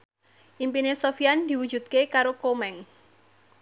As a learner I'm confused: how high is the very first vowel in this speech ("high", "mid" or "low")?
high